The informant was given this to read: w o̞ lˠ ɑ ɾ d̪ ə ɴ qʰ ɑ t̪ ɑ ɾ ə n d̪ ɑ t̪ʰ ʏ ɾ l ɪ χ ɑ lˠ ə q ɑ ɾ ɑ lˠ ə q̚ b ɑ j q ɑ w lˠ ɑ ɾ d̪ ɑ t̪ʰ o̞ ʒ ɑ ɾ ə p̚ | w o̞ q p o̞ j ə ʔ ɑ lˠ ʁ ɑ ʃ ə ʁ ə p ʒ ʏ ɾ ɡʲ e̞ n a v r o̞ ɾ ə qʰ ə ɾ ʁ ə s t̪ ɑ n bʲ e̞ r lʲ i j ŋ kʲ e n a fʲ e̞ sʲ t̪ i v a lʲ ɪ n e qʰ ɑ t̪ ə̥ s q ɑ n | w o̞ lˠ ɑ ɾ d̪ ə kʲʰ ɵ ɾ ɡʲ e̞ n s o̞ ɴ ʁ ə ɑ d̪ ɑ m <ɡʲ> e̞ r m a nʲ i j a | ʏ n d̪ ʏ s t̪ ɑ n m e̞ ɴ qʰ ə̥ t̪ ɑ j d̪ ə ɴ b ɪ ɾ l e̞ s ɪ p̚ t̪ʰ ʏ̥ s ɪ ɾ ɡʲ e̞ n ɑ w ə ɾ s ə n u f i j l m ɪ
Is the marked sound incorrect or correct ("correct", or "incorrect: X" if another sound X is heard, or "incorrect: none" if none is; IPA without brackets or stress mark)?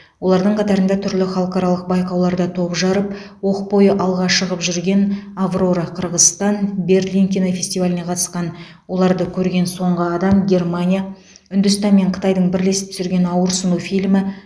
correct